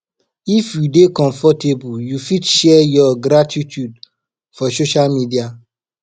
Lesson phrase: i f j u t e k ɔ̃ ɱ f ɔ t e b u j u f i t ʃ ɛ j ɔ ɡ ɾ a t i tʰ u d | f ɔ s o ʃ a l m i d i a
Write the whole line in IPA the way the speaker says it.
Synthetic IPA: i f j u d e k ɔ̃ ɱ f ɔ t e b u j u f i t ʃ ɛ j ɔ ɡ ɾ a t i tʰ u d | f ɔ s o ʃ a l m i d i a